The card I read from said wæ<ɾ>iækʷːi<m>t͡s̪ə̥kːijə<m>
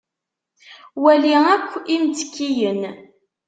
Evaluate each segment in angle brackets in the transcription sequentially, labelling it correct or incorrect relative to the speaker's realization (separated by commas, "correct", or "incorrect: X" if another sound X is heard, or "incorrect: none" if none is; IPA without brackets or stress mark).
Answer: incorrect: l, correct, incorrect: n